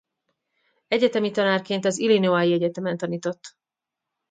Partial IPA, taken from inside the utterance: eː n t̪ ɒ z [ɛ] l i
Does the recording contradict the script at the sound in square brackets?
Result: yes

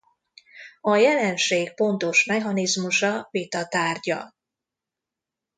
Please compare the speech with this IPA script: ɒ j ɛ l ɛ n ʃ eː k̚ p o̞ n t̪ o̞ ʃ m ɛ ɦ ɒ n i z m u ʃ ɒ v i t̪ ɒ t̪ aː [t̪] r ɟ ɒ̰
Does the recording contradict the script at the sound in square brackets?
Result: yes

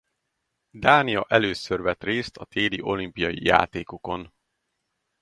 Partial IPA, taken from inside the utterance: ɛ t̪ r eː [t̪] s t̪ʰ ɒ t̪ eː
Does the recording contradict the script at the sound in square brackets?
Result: yes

